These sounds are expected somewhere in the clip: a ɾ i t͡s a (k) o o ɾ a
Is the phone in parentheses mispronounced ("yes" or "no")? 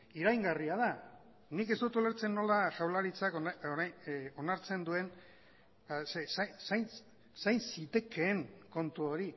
no